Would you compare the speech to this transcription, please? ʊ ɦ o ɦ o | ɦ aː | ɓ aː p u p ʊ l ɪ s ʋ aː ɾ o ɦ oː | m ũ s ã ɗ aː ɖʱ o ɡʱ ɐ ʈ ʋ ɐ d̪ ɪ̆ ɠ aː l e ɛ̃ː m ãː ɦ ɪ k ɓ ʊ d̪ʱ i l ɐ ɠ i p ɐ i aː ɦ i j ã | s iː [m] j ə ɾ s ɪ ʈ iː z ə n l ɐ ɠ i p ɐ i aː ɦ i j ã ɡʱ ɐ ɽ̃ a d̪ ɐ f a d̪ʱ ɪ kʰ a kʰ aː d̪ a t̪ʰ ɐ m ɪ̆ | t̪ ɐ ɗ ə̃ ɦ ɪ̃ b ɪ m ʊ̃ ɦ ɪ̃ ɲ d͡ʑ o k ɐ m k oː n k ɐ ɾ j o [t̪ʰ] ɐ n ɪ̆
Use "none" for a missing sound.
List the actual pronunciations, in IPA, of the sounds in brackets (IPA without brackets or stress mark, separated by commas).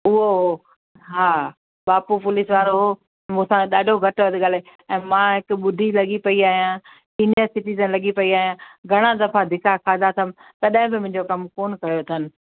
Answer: n, t̪ʰ